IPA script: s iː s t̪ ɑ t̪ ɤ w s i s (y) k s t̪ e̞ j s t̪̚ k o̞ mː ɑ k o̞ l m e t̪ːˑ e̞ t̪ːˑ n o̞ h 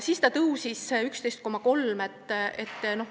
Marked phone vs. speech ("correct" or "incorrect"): correct